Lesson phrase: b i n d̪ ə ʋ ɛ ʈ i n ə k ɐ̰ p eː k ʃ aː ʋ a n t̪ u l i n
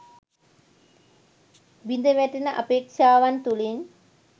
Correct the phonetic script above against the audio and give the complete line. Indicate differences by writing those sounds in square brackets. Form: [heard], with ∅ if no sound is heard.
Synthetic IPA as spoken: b i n d̪ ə ʋ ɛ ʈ i n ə [ʔ] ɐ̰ p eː k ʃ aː ʋ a n t̪ u l i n